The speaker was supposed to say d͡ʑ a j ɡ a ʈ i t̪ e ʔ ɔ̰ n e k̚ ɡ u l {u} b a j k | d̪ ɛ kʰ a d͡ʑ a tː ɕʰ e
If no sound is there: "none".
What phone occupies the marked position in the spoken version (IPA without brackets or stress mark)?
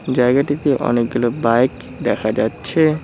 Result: o